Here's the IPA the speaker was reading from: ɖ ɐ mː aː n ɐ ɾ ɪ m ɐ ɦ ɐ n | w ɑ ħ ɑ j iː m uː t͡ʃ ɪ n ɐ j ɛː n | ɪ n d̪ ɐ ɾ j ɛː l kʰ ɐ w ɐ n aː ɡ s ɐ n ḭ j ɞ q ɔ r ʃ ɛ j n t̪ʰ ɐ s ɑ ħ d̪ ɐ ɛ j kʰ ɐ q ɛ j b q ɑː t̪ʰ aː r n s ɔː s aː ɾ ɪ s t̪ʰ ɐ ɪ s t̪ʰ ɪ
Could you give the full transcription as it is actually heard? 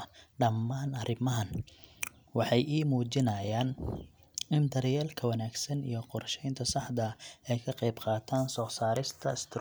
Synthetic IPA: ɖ ɐ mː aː n ɐ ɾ ɪ m ɐ ɦ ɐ n | w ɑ ħ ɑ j iː m uː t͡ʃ ɪ n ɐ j aː n | ɪ n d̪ ɐ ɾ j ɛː l kʰ ɐ w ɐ n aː ɡ s ɐ n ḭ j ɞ q ɔ r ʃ ɛ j n t̪ʰ ɐ s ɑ ħ d̪ ɐ ɛ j kʰ ɐ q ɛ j b q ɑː t̪ʰ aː n s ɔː s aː ɾ ɪ s t̪ʰ ɐ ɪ s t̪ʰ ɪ

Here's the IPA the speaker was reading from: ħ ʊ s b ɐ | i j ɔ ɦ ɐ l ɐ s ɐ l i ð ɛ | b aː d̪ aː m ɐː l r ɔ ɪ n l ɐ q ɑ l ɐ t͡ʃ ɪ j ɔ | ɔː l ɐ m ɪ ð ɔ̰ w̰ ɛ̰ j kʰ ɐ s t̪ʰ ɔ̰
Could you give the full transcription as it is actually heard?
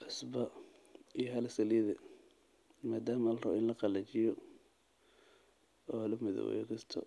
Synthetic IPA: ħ ʊ s b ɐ | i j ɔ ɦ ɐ l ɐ s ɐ l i ð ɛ | m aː d̪ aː m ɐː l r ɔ ɪ n l ɐ q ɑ l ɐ t͡ʃ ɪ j ɔ | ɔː l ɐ m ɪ ð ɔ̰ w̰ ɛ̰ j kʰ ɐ s t̪ʰ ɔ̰

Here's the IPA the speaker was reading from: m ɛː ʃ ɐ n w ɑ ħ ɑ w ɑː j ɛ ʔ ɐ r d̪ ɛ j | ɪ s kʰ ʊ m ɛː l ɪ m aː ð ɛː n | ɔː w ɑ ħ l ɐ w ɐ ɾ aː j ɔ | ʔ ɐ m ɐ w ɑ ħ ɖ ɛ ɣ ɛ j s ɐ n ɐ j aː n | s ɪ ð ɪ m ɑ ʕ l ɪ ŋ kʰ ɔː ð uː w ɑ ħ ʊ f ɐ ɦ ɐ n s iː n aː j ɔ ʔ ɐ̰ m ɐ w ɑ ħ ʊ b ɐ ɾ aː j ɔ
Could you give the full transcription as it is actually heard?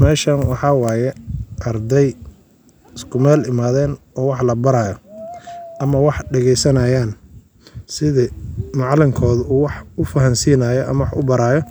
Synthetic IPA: m ɛː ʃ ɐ n w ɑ ħ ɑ w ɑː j ɛ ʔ ɐ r d̪ ɛ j | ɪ s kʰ ʊ m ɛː l ɪ m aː ð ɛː n | ɔː w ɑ ħ l ɐ b ɐ ɾ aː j ɔ | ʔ ɐ m ɐ w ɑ ħ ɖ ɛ ɣ ɛ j s ɐ n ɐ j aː n | s ɪ ð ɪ m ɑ ʕ l ɪ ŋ kʰ ɔː ð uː w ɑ ħ ʊ f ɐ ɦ ɐ n s iː n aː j ɔ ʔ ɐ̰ m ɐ w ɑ ħ ʊ b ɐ ɾ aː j ɔ

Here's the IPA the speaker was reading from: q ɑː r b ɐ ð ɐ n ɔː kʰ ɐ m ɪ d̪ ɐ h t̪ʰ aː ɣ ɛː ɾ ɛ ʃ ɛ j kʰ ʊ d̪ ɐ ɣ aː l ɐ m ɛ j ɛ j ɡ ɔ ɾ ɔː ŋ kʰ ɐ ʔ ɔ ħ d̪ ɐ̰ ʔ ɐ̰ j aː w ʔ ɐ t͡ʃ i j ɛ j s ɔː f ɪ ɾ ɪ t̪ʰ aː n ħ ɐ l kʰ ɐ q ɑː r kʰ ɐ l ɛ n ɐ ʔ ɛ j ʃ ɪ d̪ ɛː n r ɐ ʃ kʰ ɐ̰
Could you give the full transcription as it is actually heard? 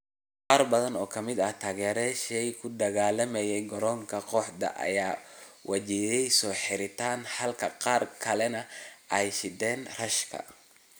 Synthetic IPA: q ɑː r b ɐ ð ɐ n ɔː kʰ ɐ m ɪ d̪ ɐ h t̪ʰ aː ɣ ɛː ɾ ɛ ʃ ɛ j kʰ ʊ d̪ ɐ ɣ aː l ɐ m ɛ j ɛ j ɡ ɔ ɾ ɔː ŋ kʰ ɐ q ɔ ħ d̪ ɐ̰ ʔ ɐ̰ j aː w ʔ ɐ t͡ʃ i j ɛ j s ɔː ħ ɪ ɾ ɪ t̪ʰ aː n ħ ɐ l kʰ ɐ q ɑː r kʰ ɐ l ɛ n ɐ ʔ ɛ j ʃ ɪ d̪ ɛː n r ɐ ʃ kʰ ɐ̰

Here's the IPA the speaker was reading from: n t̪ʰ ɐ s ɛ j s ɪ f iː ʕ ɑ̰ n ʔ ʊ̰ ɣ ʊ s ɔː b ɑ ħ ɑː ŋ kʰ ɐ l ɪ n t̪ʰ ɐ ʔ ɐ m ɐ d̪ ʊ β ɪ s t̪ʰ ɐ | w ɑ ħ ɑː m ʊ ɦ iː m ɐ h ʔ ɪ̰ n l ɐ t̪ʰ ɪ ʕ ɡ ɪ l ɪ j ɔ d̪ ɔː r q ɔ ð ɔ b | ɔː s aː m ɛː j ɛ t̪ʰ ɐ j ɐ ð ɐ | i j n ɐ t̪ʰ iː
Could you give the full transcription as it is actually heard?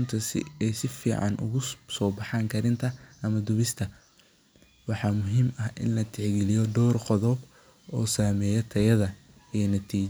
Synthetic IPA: n t̪ʰ ɐ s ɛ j s ɪ f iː ʕ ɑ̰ n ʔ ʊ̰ ɣ ʊ s ɔː b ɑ ħ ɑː ŋ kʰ ɐ ɾ ɪ n t̪ʰ ɐ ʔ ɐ m ɐ d̪ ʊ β ɪ s t̪ʰ ɐ | w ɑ ħ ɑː m ʊ ɦ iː m ɐ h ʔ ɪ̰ n l ɐ t̪ʰ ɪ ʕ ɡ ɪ l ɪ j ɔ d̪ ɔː r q ɔ ð ɔ b | ɔː s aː m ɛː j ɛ t̪ʰ ɐ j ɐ ð ɐ | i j n ɐ t̪ʰ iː

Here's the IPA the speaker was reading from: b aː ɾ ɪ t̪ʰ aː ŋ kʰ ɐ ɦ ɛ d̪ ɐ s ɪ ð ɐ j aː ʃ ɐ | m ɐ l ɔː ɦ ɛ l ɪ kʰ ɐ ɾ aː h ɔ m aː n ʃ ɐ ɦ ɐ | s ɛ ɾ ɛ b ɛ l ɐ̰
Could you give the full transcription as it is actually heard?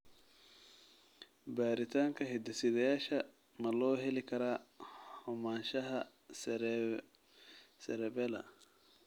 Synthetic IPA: b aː ɾ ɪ t̪ʰ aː ŋ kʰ ɐ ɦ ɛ d̪ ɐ s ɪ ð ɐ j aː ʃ ɐ | m ɐ l ɔː ɦ ɛ l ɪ kʰ ɐ ɾ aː h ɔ m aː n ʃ ɐ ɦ ɐ | s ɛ ɾ ɛ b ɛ l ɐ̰

